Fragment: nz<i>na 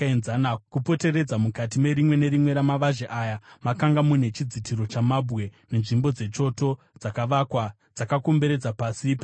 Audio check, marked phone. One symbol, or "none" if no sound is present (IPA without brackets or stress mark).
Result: a